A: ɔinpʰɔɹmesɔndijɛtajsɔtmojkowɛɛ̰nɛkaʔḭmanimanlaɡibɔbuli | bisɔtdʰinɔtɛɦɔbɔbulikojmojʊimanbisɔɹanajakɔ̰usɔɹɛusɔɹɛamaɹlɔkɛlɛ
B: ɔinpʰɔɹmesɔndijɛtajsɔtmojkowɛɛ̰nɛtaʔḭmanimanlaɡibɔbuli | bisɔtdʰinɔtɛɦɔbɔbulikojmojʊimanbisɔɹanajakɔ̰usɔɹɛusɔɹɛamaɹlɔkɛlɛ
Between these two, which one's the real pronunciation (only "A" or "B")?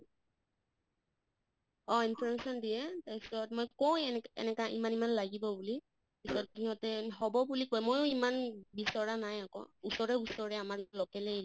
A